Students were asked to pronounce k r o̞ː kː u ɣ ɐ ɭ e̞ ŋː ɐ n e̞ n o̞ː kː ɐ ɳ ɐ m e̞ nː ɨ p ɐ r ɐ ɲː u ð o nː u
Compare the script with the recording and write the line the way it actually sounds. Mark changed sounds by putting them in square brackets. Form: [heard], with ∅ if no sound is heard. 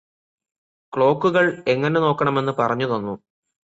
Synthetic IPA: k [ɭ] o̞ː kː u ɣ ɐ ɭ e̞ ŋː ɐ n e̞ n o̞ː kː ɐ ɳ ɐ m e̞ nː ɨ p ɐ r ɐ ɲː u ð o nː u